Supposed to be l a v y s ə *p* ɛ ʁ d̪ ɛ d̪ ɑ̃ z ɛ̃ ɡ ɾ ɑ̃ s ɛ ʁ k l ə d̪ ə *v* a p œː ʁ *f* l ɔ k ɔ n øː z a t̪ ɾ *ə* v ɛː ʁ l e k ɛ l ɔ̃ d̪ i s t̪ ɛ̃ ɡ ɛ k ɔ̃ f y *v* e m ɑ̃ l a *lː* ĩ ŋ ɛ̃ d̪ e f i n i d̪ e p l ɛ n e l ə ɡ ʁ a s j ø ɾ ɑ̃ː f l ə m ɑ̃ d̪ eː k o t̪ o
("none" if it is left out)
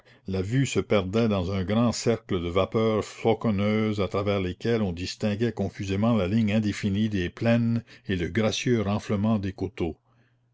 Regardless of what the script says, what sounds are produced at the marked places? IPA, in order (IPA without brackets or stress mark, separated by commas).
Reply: p, v, f, a, z, l